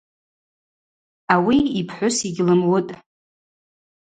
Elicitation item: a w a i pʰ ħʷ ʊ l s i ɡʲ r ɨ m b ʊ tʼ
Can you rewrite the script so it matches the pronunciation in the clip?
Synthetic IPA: a w i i pʰ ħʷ ʊ s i ɡʲ l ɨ m w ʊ tʼ